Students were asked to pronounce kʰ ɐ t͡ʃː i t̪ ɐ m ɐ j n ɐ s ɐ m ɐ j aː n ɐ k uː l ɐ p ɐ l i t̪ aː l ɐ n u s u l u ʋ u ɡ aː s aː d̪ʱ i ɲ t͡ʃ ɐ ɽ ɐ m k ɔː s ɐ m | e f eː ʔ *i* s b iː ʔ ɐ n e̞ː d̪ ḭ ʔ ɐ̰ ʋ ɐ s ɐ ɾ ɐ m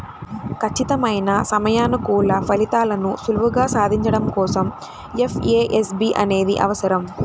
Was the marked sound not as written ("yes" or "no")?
yes